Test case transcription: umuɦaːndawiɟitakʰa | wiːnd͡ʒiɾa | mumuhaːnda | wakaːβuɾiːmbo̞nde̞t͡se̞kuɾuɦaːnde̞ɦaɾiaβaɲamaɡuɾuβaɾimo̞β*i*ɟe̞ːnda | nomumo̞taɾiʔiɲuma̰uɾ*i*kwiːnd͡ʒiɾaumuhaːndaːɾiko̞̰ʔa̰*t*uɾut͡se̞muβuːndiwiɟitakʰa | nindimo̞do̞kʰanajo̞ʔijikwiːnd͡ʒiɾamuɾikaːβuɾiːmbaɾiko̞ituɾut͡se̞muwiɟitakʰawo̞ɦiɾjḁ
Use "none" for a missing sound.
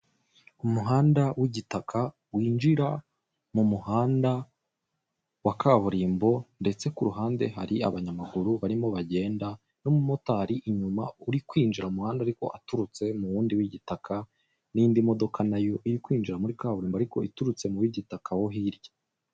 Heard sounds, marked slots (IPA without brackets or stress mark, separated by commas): a, i, t